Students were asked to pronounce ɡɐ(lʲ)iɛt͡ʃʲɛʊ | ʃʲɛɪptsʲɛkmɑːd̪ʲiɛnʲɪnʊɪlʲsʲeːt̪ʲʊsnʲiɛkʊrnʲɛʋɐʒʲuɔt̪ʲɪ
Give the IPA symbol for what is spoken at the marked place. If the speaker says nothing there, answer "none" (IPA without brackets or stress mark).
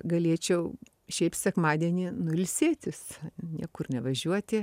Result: lʲ